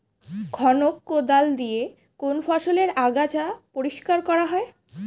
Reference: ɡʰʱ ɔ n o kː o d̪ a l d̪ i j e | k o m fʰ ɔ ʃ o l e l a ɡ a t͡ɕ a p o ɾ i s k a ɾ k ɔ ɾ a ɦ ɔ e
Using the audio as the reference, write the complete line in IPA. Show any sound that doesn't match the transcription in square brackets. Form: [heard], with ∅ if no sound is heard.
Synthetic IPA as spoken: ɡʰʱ ɔ n o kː o d̪ a l d̪ i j e | k o [n] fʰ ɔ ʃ o l e [ɾ] a ɡ a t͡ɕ a p o ɾ i [ʃ] k a ɾ k ɔ ɾ a ɦ ɔ e